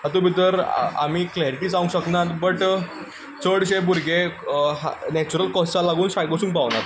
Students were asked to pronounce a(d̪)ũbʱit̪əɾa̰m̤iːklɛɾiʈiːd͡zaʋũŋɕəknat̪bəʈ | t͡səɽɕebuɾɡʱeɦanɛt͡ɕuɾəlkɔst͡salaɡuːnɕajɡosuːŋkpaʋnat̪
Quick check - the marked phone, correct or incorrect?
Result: incorrect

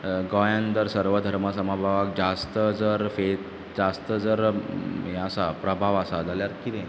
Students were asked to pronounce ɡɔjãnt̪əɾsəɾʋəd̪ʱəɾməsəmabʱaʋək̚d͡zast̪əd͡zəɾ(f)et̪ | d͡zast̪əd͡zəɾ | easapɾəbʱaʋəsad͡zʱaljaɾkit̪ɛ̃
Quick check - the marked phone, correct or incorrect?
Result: correct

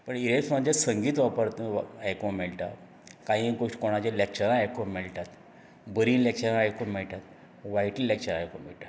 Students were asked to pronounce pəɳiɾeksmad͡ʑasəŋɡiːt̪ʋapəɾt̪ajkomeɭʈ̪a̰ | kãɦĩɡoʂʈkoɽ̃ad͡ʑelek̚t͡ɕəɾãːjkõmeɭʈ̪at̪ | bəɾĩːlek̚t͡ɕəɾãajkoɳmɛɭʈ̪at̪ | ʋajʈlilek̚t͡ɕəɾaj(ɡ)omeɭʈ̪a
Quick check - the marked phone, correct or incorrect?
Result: incorrect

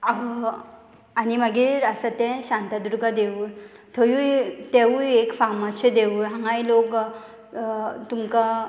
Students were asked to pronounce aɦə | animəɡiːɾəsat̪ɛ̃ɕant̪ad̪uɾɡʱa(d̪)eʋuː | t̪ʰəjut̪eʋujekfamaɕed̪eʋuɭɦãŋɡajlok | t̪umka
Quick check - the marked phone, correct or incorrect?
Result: correct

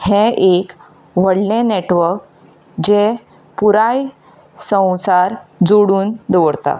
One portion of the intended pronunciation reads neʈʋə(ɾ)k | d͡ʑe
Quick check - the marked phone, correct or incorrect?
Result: correct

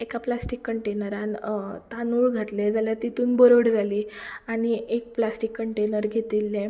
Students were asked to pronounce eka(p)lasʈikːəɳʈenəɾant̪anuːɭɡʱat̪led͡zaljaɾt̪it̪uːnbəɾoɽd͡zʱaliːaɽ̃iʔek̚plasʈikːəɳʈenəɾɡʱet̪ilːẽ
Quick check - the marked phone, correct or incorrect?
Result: correct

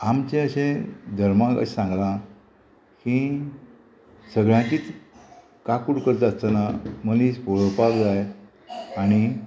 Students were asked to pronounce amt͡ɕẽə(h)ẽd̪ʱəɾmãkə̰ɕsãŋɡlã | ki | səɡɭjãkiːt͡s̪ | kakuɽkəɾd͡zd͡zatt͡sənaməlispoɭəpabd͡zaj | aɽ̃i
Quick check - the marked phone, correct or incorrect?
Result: incorrect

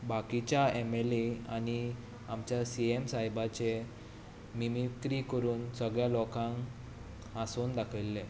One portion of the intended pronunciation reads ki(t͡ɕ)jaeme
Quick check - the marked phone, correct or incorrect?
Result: correct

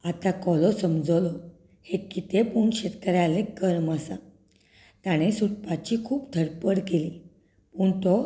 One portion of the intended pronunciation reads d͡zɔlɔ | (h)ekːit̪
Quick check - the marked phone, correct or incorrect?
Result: correct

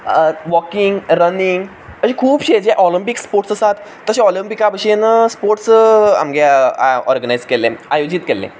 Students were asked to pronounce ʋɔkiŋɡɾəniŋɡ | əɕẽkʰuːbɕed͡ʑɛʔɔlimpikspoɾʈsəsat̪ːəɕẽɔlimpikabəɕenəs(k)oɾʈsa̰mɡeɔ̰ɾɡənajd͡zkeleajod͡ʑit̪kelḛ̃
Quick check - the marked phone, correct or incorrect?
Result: incorrect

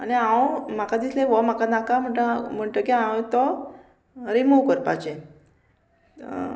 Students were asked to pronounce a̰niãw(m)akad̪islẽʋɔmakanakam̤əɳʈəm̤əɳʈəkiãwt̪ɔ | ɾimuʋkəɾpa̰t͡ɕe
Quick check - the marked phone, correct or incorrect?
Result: correct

